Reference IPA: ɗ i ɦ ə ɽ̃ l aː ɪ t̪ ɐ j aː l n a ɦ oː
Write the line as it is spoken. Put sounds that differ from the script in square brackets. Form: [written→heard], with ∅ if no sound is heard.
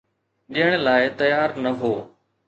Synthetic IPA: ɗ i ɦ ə ɽ̃ l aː ɪ t̪ ɐ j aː [l→ɾ] n [a→ɐ] ɦ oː